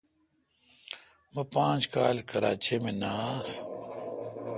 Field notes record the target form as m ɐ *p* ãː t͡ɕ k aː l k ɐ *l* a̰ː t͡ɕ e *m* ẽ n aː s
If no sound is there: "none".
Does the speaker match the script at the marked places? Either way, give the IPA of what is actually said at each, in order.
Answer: p, ɾ, m

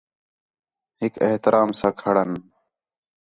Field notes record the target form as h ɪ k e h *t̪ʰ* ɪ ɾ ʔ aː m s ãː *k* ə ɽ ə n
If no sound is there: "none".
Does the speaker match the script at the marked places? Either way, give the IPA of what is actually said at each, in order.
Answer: t̪, kʰ

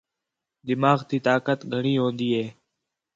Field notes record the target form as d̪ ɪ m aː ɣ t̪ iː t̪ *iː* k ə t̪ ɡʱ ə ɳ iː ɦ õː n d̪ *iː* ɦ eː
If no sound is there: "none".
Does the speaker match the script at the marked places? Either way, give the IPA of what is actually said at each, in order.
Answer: aː, iː

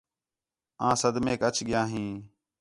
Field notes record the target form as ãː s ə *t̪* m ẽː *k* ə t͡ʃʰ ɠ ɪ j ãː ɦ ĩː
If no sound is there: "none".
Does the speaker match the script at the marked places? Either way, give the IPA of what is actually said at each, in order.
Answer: d̪, k

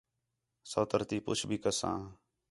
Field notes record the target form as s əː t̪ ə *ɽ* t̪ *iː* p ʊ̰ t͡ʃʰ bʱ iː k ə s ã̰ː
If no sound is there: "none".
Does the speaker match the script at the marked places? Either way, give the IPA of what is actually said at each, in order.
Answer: ɾ, iː

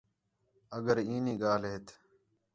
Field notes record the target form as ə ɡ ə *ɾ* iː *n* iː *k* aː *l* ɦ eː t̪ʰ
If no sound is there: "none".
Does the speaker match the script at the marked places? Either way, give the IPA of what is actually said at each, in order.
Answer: ɾ, n, ɡ, l

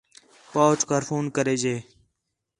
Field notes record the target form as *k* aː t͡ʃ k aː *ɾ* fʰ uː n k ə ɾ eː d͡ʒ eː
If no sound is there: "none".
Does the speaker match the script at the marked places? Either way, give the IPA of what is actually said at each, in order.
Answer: p, ɾ

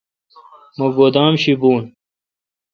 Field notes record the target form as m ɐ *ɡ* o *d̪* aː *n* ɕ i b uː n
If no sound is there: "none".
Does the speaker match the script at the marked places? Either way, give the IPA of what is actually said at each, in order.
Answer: ɡ, d̪, m

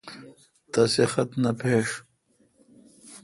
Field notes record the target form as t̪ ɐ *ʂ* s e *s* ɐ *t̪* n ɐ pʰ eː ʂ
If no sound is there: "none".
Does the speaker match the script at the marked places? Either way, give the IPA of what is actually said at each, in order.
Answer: none, x, t̪

